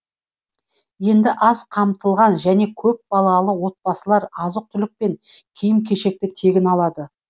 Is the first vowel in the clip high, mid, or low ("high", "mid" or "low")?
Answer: mid